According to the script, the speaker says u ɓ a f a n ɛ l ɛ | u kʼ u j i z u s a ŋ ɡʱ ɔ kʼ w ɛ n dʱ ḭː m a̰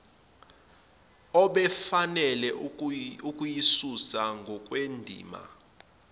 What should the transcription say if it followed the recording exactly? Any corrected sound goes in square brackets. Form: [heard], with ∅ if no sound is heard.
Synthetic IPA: [ɔ] ɓ [ɛ] f a n ɛ l ɛ | u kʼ u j i [s] u s a ŋ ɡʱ ɔ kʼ w [e] n dʱ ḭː m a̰

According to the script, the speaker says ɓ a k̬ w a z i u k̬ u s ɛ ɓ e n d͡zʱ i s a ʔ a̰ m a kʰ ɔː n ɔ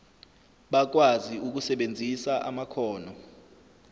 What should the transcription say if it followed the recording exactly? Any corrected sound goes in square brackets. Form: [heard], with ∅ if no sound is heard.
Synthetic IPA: ɓ a k̬ w a z i u k̬ u s ɛ ɓ e n d͡zʱ i s a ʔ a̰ m a kʰ ɔː n ɔ

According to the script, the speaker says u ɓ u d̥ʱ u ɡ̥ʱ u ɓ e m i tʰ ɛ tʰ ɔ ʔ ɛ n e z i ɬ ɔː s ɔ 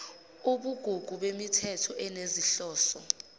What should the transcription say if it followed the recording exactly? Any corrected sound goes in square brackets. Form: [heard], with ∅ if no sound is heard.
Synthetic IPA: u ɓ u [ɡ̥ʱ] u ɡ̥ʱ u ɓ e m i tʰ ɛ tʰ ɔ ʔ ɛ n e z i ɬ ɔː s ɔ

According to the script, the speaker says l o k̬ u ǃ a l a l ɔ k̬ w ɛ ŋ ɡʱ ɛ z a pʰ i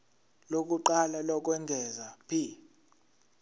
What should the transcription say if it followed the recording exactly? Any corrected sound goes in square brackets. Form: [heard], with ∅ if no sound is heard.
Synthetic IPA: l o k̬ u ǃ a l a l ɔ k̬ w ɛ ŋ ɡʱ ɛ z a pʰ i

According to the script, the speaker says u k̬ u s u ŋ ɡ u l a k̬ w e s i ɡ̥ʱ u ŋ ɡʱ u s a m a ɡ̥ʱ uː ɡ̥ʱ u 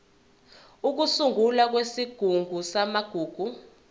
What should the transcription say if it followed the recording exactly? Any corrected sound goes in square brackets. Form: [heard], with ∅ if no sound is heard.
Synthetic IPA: u k̬ u s u ŋ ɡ u l a k̬ w e s i ɡ̥ʱ u ŋ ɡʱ u s a m a ɡ̥ʱ uː ɡ̥ʱ u

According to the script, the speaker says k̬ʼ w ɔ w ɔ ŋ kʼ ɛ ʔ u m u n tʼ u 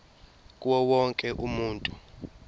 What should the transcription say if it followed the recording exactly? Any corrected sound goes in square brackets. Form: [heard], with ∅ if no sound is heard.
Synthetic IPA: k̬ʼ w ɔ w ɔ ŋ kʼ ɛ ʔ u m [uː] n tʼ u

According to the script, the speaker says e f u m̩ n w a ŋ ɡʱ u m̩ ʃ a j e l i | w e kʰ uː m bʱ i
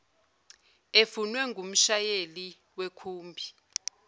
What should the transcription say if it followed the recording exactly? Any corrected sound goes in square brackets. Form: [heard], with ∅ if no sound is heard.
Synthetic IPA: e f u [∅] n w [ɛ] ŋ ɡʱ u m̩ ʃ a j e l i | w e kʰ uː m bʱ i

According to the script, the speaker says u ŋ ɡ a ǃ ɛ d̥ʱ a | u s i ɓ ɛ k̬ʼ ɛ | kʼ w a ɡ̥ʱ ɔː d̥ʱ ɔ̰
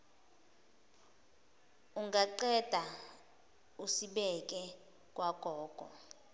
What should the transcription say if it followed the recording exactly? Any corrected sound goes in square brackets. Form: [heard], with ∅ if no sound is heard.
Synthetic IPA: u ŋ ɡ a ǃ ɛ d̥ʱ a | u s i ɓ ɛ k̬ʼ ɛ | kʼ w a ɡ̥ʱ ɔː [ɡ̥ʱ] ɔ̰

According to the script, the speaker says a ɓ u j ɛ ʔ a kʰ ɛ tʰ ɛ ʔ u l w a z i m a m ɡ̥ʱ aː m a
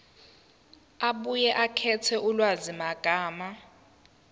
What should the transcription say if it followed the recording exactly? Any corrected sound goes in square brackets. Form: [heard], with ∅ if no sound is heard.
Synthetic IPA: a ɓ u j ɛ ʔ a kʰ ɛ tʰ ɛ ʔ u l w a z i m a [∅] ɡ̥ʱ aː m a

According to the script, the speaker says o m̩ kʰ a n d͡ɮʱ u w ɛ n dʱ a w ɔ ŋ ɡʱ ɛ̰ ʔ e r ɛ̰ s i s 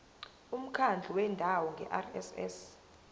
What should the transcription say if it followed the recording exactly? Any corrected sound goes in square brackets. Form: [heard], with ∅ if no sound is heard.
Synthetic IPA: [u] m̩ kʰ a n d͡ɮʱ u w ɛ n dʱ a w ɔ ŋ ɡʱ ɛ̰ ʔ [a] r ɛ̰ s [ɛ] s

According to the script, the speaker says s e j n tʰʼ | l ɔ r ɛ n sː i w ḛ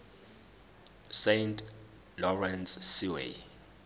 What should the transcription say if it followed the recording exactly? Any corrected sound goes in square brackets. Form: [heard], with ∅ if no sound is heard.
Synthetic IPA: s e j n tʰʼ | l ɔ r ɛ n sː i w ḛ

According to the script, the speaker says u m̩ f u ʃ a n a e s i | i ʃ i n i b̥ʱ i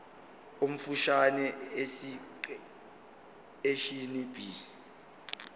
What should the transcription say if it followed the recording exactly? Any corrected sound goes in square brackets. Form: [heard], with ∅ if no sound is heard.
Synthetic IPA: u m̩ f u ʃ a n [ɛ] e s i | [e] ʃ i n i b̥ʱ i

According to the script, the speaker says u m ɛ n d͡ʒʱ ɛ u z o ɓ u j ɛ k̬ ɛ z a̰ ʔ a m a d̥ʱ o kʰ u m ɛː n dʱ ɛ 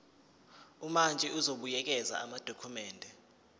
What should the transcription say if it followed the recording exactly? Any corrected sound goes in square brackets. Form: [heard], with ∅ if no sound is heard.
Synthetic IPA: u m [a] n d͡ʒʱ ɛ u z o ɓ u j ɛ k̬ ɛ z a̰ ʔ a m a d̥ʱ o kʰ u m ɛː n dʱ ɛ

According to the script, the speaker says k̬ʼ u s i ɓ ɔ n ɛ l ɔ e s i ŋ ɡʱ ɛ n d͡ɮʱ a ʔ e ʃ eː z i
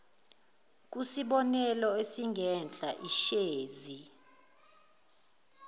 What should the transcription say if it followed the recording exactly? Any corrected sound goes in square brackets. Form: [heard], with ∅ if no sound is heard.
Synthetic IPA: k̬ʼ u s i ɓ ɔ n ɛ l ɔ e s i ŋ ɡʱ ɛ n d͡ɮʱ a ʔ [i] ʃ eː z i

